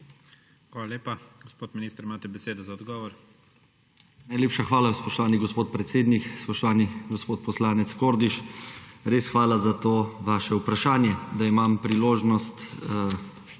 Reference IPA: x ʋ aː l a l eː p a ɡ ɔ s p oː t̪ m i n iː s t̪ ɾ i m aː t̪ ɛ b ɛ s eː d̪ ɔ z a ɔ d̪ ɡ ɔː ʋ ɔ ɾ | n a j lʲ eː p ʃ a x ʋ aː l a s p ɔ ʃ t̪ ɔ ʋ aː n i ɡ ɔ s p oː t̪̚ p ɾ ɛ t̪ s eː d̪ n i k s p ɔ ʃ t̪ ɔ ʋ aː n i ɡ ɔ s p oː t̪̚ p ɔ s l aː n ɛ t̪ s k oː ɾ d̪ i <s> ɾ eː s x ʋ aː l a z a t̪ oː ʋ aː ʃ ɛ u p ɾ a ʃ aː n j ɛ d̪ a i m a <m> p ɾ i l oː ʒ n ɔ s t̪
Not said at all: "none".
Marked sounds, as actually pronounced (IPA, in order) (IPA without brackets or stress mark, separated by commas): ʃ, m